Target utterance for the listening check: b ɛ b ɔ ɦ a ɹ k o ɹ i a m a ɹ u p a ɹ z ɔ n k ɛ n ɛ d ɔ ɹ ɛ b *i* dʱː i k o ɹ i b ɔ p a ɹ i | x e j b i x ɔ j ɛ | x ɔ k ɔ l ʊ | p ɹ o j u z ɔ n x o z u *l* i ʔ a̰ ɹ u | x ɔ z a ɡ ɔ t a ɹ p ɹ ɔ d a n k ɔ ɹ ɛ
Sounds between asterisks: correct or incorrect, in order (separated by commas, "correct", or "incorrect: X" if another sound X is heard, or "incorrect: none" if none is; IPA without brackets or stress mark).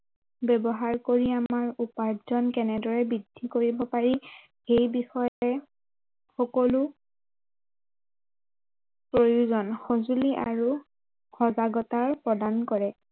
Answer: correct, correct